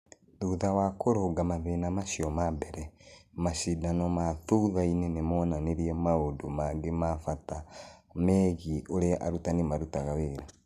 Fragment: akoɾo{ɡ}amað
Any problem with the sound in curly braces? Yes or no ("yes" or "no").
no